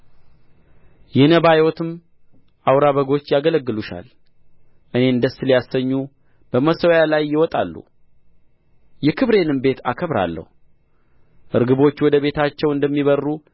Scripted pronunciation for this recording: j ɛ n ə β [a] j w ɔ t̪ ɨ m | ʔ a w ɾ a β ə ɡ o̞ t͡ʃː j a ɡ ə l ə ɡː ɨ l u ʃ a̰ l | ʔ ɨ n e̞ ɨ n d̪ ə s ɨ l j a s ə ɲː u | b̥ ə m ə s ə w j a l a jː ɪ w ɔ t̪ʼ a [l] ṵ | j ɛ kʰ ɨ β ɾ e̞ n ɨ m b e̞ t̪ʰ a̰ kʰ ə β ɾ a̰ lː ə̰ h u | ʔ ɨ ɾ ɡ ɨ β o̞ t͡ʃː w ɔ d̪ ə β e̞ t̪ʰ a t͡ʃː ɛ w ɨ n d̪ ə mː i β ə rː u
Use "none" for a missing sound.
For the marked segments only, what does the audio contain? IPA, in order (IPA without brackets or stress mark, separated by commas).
a, lː